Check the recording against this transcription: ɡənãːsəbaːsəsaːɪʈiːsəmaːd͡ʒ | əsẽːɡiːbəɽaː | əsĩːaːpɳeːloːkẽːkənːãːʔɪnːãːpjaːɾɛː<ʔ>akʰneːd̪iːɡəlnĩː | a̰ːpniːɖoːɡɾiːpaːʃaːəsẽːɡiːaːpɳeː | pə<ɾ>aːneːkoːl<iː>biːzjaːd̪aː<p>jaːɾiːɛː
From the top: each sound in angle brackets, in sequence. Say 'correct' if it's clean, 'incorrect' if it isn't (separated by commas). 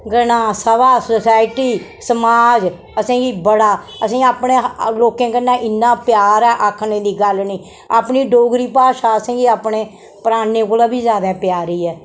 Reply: correct, correct, incorrect, correct